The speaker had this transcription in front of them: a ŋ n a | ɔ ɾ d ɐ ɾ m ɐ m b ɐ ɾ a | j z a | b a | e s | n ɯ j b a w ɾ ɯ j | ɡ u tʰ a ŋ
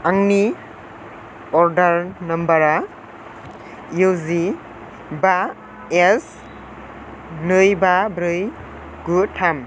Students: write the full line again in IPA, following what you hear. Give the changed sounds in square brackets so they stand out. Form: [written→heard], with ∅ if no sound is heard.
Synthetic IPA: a ŋ n [a→i] | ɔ ɾ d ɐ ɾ [m→n] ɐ m b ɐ ɾ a | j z [a→i] | b a | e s | n ɯ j b a [w→b] ɾ ɯ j | ɡ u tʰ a [ŋ→m]